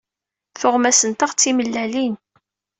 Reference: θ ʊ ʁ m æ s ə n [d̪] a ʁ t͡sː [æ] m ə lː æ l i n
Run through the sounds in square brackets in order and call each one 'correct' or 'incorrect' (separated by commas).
incorrect, incorrect